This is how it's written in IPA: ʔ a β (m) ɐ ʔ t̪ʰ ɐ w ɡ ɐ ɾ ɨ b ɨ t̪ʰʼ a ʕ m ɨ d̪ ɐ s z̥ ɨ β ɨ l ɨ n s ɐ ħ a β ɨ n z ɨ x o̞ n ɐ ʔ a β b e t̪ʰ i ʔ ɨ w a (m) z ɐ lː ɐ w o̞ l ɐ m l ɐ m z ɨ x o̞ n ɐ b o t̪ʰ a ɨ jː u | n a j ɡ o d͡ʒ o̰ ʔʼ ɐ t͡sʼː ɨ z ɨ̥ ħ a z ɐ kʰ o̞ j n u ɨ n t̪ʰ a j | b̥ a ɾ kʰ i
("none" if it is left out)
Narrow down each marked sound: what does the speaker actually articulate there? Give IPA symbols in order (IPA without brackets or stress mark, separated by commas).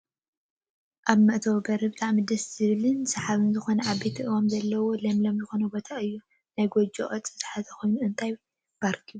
m, m